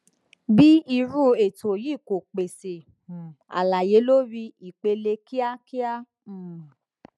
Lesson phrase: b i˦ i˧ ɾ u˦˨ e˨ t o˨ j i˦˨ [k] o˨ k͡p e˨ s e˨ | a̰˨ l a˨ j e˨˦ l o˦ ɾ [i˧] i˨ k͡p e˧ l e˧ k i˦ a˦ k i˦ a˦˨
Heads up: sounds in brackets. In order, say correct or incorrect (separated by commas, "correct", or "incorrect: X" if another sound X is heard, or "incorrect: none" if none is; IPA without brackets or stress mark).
correct, correct